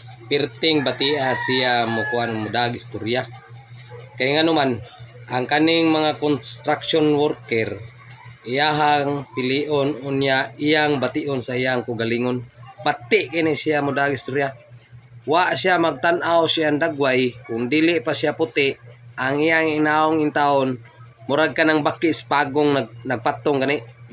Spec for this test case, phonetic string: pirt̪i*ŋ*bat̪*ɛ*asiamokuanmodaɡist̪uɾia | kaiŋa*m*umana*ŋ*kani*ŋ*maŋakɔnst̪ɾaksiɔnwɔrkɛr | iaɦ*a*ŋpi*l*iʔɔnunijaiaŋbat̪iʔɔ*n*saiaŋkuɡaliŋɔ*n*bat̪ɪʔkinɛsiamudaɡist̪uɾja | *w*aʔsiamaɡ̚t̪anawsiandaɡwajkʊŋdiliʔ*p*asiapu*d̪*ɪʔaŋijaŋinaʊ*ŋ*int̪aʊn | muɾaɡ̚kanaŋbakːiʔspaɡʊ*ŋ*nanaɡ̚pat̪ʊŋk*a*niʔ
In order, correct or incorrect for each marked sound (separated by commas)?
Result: correct, incorrect, incorrect, correct, correct, correct, correct, correct, correct, correct, correct, incorrect, correct, correct, correct